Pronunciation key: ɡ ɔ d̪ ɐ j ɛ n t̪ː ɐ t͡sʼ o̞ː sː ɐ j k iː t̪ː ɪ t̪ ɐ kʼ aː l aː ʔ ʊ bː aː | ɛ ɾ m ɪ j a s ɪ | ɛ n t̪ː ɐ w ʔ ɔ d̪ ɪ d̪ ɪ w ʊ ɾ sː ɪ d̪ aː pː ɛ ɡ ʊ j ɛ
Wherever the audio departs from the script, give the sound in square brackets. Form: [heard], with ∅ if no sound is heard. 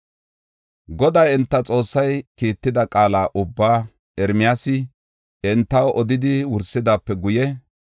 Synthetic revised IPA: ɡ ɔ d̪ ɐ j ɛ n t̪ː ɐ t͡sʼ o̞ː sː ɐ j k iː t̪ː ɪ [d̪] ɐ kʼ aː l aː ʔ ʊ bː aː | ɛ ɾ m ɪ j a s ɪ | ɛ n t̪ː ɐ w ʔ ɔ d̪ ɪ d̪ ɪ w ʊ ɾ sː ɪ d̪ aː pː ɛ ɡ ʊ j ɛ